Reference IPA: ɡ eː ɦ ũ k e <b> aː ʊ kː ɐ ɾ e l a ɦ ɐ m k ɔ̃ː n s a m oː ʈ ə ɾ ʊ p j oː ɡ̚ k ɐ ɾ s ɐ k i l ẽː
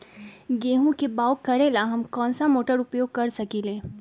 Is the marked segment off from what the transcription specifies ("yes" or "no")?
no